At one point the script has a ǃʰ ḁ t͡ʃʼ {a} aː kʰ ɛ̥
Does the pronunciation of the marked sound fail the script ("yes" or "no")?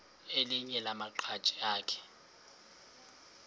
yes